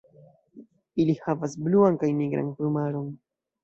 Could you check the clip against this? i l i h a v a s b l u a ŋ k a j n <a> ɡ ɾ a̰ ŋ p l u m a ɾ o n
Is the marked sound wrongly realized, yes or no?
yes